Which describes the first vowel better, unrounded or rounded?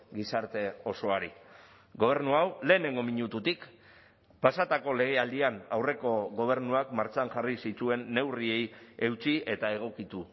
unrounded